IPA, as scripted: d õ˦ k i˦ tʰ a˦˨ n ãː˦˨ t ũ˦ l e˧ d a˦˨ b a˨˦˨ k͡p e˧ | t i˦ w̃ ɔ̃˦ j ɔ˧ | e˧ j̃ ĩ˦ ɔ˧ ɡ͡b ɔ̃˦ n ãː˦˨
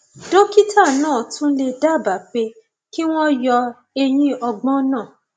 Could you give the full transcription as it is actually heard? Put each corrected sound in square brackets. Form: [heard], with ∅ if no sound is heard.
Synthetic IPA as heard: d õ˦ k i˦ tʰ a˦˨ n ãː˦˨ t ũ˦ l e˧ d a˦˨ b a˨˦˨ k͡p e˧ | [k] i˦ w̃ ɔ̃˦ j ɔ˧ | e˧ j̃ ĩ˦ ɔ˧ ɡ͡b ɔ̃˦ n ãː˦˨